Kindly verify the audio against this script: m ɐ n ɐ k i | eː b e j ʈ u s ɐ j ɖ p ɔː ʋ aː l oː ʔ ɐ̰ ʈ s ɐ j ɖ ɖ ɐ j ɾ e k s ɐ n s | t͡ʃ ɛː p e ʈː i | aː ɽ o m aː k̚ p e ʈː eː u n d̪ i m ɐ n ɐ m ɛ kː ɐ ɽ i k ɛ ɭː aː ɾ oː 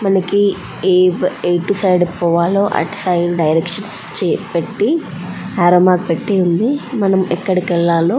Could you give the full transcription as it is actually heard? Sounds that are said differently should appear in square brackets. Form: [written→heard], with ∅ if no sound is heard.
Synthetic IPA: m ɐ n ɐ k i | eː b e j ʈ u s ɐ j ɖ p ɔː ʋ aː l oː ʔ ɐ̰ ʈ s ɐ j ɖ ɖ ɐ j ɾ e k [s→ʂ] ɐ n s | t͡ʃ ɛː p e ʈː i | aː [ɽ→ɾ] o m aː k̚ p e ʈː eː u n d̪ i m ɐ n ɐ m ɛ kː ɐ ɽ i k ɛ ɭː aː [ɾ→l] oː

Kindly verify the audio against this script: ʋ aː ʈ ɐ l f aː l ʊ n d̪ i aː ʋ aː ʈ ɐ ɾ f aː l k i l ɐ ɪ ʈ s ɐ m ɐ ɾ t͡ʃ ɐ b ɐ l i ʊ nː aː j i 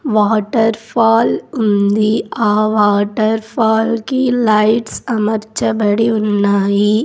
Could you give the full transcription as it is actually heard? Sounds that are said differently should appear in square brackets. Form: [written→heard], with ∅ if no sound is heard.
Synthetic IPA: ʋ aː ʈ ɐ [l→ɾ] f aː l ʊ n d̪ i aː ʋ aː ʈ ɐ ɾ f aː l k i l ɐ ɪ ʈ s ɐ m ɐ ɾ t͡ʃ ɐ b ɐ [l→ɽ] i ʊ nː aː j i

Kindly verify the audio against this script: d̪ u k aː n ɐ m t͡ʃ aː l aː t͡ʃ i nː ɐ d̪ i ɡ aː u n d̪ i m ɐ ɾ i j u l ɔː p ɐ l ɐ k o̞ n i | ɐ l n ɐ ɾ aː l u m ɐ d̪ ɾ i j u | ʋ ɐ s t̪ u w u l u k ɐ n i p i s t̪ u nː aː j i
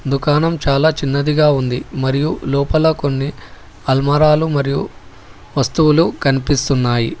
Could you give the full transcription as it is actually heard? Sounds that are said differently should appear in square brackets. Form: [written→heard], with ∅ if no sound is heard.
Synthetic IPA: d̪ u k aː n ɐ m t͡ʃ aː l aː t͡ʃ i nː ɐ d̪ i ɡ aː u n d̪ i m ɐ ɾ i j u l ɔː p ɐ l ɐ k o̞ [n→nː] i | ɐ l [n→m] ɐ ɾ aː l u m ɐ [d̪→∅] ɾ i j u | ʋ ɐ s t̪ u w u l u k ɐ n i p i s t̪ u nː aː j i

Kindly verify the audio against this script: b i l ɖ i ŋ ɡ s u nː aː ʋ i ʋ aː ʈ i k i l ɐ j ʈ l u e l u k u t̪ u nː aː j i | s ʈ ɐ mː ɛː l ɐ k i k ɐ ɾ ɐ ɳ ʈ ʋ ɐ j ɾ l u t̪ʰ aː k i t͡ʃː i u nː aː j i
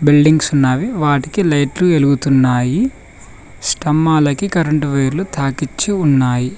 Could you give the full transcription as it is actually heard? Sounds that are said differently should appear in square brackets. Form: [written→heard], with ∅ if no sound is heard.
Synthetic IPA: b i l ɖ i ŋ ɡ s u nː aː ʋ i ʋ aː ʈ i k i l ɐ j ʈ l u e l u [k→ɡ] u t̪ u nː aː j i | s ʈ ɐ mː [ɛː→aː] l ɐ k i k ɐ ɾ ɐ ɳ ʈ ʋ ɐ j ɾ l u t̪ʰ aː k i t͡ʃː i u nː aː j i

